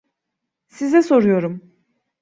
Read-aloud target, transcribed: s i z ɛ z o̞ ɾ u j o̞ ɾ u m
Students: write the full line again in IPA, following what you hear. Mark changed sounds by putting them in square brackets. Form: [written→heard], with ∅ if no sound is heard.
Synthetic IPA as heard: s i z ɛ [z→s] o̞ ɾ u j o̞ ɾ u m

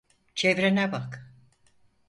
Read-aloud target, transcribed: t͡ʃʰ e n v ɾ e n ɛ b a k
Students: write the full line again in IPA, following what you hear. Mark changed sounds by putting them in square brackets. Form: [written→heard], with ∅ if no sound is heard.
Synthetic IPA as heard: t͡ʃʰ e [n→∅] v ɾ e n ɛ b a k

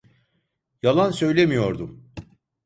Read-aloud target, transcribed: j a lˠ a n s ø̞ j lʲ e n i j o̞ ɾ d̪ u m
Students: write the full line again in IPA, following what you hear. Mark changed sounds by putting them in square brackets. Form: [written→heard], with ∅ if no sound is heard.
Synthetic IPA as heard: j a lˠ a n s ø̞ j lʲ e [n→m] i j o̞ ɾ d̪ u m

